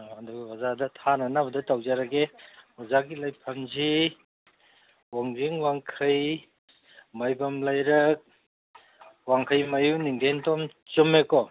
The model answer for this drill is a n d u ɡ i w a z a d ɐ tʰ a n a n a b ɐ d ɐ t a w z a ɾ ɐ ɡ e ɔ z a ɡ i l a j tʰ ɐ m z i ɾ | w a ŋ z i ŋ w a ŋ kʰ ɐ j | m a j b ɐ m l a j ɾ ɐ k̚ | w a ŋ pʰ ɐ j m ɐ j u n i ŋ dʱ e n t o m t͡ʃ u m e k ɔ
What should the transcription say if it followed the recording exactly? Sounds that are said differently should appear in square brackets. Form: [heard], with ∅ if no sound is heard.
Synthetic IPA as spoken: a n d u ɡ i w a z a d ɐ tʰ a n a n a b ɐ d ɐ t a w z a ɾ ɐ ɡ e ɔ z a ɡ i l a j [pʰ] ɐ m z i [∅] | w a ŋ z i ŋ w a ŋ kʰ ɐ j | m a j b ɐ m l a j ɾ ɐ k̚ | w a ŋ [kʰ] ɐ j m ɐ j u n i ŋ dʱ e n t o m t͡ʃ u m e k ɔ